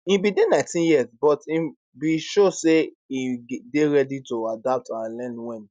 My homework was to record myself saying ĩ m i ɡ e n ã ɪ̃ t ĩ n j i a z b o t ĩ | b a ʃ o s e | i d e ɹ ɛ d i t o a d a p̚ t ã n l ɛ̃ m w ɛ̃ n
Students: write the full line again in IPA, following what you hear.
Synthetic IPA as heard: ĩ b i d e n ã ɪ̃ t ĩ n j i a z b ɔ t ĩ | b i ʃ o s e | i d e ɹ ɛ d i t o a d a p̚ t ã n l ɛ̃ n w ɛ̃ n